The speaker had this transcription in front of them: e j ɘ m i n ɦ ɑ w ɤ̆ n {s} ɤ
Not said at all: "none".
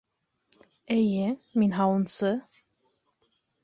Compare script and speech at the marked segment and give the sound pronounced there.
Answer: s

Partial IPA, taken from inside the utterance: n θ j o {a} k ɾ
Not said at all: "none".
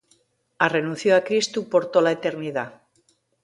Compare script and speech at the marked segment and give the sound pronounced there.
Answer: a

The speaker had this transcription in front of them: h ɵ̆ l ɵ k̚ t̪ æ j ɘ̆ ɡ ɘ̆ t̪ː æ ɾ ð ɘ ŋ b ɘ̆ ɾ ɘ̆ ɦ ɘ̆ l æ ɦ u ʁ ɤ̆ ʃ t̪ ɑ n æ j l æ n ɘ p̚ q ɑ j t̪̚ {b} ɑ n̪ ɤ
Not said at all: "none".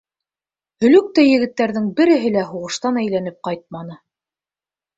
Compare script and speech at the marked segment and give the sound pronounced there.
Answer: m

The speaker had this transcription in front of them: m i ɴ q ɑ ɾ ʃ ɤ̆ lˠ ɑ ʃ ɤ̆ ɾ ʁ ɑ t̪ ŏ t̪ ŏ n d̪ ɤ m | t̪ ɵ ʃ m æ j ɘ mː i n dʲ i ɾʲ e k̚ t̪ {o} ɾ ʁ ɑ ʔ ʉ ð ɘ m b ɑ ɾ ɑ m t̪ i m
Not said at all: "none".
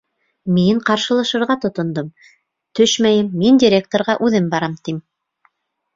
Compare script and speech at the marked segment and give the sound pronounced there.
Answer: o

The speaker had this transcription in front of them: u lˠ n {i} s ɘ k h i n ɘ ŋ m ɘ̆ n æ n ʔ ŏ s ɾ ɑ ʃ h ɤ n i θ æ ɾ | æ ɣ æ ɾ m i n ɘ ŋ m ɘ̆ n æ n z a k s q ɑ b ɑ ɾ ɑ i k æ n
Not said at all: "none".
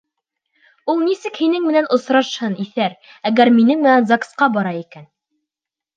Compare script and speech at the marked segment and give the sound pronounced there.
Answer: i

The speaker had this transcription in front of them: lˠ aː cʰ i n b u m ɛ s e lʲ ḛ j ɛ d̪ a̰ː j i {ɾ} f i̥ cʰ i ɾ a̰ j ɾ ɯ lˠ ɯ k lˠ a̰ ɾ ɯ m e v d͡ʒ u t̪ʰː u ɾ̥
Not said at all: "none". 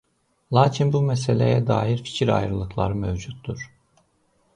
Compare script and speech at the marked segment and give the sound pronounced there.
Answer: ɾ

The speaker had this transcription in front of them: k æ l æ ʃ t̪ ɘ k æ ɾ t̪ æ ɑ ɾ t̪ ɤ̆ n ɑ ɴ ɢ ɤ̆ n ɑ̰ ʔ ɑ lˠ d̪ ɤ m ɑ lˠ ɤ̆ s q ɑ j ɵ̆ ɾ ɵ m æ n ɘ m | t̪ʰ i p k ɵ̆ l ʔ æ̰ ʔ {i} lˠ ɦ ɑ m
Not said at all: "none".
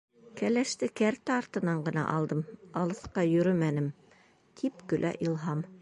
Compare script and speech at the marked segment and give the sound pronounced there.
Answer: i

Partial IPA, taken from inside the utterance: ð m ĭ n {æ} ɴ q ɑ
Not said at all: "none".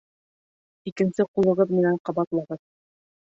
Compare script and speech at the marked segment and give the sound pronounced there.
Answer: æ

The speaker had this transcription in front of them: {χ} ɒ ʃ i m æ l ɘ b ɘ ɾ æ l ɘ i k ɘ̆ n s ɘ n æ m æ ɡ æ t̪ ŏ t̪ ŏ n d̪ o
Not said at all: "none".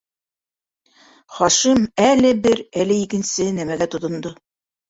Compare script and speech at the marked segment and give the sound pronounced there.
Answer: χ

